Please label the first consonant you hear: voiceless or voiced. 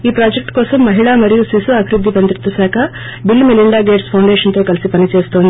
voiceless